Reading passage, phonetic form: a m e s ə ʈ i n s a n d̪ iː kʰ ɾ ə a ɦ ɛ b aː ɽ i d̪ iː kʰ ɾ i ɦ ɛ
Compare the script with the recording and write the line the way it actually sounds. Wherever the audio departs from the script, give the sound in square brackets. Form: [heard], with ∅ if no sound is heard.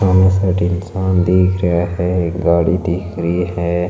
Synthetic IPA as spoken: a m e s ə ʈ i n s a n d̪ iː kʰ ɾ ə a ɦ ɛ [ɡ] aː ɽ i d̪ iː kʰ ɾ i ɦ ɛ